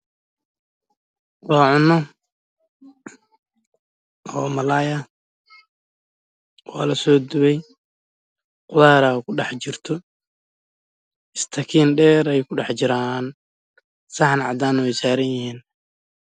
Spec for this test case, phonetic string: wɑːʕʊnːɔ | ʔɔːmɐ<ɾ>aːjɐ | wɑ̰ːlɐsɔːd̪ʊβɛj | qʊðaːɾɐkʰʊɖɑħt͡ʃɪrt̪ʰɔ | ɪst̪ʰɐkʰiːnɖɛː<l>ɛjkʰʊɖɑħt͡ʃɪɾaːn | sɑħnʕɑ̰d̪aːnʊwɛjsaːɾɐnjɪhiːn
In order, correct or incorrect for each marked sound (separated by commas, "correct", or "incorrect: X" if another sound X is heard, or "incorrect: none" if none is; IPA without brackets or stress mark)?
incorrect: l, incorrect: ɾ